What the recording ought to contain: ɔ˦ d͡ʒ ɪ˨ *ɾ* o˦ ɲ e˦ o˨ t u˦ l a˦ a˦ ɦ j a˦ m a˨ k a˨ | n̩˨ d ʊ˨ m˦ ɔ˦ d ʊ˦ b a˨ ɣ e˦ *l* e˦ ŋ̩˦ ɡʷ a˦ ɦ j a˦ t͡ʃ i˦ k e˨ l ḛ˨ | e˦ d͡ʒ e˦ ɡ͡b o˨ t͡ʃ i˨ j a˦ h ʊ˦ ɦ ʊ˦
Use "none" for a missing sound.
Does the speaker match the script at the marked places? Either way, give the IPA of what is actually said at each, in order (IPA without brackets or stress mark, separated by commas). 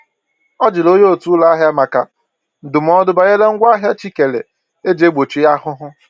l, l